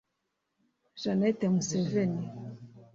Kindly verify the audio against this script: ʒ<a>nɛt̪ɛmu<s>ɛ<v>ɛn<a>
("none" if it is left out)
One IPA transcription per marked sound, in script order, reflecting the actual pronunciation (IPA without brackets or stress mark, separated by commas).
a, s, v, i